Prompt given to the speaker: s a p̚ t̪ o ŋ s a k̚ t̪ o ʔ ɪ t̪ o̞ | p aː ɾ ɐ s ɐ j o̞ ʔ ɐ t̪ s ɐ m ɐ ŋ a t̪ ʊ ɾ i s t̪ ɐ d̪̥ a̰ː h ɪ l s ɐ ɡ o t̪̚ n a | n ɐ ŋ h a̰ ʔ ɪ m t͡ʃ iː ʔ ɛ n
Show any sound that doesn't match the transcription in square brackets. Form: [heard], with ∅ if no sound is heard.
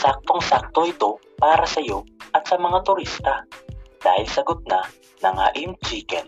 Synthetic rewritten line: s a [k̚] t̪ o ŋ s a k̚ t̪ o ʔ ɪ t̪ o̞ | p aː ɾ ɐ s ɐ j o̞ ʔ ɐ t̪ s ɐ m ɐ ŋ a t̪ ʊ ɾ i s t̪ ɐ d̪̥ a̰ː h ɪ l s ɐ ɡ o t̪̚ n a | n ɐ ŋ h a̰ ʔ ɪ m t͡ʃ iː [k] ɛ n